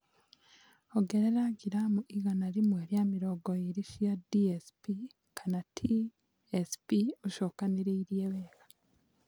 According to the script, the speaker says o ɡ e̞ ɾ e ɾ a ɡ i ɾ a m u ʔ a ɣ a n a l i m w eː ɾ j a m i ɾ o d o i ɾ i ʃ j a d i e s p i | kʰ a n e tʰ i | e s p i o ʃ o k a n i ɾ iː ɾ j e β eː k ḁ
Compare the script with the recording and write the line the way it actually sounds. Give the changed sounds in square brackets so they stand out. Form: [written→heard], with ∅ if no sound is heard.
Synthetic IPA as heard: o ɡ e̞ ɾ e ɾ a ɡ i ɾ a m u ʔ [a→i] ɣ a n a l i m w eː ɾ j a m i ɾ o [d→ɡ] o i ɾ i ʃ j a d i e s p i | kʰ a n [e→a] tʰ i | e s p i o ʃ o k a n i ɾ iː ɾ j e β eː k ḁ